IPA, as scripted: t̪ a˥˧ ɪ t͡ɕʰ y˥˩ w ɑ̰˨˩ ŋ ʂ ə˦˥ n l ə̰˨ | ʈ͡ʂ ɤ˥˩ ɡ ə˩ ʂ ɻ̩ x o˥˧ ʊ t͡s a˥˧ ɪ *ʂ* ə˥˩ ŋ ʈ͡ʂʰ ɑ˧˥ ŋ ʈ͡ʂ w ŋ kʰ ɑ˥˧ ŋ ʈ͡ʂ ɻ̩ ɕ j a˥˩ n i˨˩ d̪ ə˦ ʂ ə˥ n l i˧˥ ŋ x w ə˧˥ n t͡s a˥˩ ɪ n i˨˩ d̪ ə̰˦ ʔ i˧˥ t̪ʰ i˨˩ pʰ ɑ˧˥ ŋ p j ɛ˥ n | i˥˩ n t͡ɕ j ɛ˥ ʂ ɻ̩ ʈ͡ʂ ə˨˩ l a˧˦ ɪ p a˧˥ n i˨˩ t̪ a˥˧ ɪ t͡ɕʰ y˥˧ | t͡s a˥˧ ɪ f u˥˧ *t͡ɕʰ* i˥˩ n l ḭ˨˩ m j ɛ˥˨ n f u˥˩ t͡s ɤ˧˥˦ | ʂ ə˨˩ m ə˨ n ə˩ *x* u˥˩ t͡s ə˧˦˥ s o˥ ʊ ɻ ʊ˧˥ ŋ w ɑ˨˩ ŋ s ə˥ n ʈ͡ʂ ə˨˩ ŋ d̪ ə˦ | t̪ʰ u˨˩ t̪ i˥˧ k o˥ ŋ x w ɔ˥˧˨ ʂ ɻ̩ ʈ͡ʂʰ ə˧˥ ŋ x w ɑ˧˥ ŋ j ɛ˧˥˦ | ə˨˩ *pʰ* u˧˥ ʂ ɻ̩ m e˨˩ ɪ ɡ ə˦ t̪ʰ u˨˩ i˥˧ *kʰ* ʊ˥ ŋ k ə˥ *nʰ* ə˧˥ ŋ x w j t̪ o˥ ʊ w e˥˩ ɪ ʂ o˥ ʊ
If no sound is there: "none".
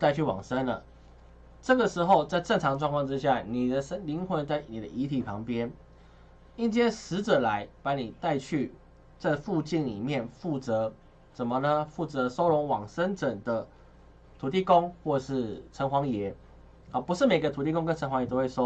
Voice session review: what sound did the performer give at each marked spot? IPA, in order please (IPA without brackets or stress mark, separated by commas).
ʈ͡ʂ, t͡ɕ, f, p, k, nʰ